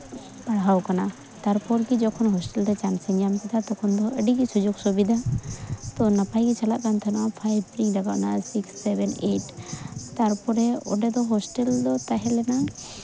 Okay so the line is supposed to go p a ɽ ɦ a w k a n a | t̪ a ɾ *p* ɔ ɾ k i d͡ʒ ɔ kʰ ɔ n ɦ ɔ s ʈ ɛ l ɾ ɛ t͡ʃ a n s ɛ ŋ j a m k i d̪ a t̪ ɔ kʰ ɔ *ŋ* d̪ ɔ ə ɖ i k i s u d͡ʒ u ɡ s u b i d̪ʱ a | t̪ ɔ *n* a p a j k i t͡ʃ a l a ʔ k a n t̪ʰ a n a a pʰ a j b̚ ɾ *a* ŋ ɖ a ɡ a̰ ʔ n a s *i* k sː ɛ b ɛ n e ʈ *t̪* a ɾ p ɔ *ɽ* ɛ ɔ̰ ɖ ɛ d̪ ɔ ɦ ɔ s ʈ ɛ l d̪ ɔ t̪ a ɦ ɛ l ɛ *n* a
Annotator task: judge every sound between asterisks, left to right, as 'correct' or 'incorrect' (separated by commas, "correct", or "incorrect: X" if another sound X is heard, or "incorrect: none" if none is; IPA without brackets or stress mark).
correct, incorrect: n, correct, incorrect: i, correct, correct, incorrect: ɾ, correct